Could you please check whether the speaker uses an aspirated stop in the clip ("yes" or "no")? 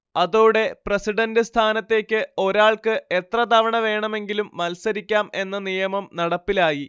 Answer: yes